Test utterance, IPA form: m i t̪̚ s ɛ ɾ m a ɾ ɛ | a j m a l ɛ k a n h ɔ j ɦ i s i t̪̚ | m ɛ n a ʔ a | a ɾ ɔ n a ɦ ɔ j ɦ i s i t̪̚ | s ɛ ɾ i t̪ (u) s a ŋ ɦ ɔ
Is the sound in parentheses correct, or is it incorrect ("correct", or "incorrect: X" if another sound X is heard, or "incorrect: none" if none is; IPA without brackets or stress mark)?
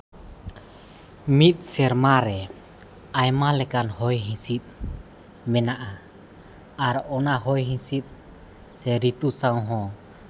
correct